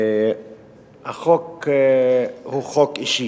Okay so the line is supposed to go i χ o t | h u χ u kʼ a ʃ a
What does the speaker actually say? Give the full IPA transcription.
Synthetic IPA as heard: a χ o k | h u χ o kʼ i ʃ i